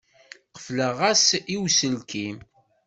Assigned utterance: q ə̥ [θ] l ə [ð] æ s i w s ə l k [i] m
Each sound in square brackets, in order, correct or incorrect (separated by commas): incorrect, incorrect, correct